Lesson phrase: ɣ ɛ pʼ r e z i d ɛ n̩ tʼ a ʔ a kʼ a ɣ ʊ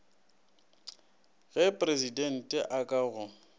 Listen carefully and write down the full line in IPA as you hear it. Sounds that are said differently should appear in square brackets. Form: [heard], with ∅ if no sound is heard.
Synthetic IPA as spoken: ɣ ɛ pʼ r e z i d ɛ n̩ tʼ [ɛ] ʔ a kʼ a ɣ ʊ